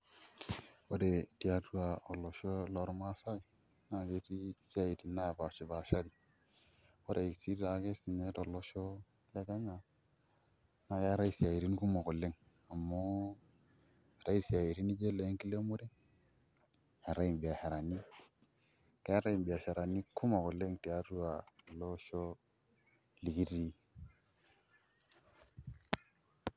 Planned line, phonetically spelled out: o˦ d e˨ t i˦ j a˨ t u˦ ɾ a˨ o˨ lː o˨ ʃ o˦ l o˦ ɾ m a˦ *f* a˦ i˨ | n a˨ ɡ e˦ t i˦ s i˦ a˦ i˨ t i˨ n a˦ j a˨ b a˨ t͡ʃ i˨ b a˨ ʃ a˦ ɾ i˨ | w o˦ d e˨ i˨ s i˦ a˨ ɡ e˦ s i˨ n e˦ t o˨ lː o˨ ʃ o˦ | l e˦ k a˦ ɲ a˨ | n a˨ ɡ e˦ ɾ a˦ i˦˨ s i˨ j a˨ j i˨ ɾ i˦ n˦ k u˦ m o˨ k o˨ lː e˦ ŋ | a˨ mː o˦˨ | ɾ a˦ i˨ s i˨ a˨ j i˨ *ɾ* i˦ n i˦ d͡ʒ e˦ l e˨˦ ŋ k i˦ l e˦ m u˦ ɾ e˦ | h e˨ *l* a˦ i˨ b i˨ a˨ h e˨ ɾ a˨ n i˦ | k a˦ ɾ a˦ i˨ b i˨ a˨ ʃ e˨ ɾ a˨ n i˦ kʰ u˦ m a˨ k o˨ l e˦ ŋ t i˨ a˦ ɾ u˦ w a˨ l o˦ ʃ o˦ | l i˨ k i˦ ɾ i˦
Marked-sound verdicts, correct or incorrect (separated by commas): incorrect, correct, incorrect